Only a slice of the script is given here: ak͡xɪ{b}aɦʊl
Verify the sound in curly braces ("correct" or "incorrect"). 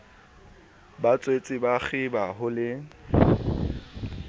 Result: correct